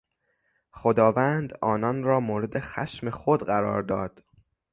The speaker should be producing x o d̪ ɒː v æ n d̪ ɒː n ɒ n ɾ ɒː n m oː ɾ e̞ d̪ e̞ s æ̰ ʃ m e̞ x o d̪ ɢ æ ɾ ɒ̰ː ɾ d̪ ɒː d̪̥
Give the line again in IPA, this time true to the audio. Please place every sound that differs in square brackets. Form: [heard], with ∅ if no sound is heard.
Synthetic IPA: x o d̪ ɒː v æ n d̪ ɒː n ɒ n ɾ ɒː [∅] m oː ɾ e̞ d̪ e̞ [x] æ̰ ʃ m e̞ x o d̪ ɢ æ ɾ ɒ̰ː ɾ d̪ ɒː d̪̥